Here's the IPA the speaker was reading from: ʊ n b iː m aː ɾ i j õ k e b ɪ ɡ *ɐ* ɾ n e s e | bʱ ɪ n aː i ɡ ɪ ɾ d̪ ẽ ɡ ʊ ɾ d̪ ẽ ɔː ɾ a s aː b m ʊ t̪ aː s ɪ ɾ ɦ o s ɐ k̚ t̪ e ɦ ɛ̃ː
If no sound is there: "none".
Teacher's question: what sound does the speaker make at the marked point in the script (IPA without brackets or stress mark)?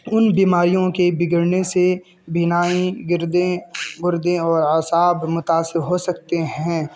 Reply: ə